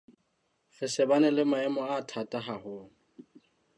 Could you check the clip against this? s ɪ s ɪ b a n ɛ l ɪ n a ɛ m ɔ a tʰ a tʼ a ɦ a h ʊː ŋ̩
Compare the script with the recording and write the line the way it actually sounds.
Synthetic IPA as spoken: f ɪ s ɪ b a n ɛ l ɪ m a ɛ m ɔ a tʰ a tʼ a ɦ a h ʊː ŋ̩